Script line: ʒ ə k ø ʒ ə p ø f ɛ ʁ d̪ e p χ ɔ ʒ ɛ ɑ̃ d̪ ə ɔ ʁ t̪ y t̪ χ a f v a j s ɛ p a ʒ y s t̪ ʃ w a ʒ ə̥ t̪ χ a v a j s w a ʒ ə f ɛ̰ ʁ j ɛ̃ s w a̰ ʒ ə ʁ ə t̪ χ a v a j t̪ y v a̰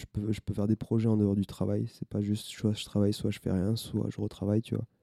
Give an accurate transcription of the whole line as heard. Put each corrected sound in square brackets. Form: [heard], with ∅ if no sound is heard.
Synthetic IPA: ʒ ə [p] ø ʒ ə p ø f ɛ ʁ d̪ e p χ ɔ ʒ ɛ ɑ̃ d̪ ə ɔ ʁ [d̪] y t̪ χ a [∅] v a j s ɛ p a ʒ y s t̪ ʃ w a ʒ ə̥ t̪ χ a v a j s w a ʒ ə f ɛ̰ ʁ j ɛ̃ s w a̰ ʒ ə ʁ ə t̪ χ a v a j t̪ y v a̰